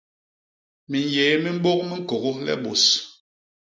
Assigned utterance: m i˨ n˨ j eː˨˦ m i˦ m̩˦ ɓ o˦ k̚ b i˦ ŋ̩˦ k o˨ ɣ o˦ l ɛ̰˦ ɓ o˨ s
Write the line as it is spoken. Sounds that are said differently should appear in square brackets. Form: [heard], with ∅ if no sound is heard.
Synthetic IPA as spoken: m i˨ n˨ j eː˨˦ m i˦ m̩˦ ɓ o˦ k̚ [m] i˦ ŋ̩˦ k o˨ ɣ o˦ l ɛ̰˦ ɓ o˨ s